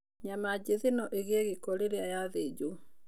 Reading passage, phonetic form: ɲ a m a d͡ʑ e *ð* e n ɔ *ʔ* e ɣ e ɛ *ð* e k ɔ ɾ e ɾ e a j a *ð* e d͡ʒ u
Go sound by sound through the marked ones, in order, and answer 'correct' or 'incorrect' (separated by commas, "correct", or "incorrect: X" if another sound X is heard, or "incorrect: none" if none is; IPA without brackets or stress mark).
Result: correct, correct, incorrect: ɣ, correct